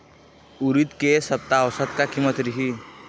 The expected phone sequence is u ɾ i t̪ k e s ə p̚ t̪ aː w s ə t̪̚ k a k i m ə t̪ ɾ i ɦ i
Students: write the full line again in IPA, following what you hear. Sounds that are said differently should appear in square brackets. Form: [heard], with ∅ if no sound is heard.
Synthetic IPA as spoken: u ɾ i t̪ k e s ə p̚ t̪ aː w s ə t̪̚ k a k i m ə t̪ ɾ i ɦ i